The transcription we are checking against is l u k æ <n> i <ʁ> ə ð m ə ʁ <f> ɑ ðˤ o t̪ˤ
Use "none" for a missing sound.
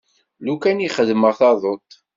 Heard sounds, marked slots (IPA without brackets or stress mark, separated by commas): n, χ, θ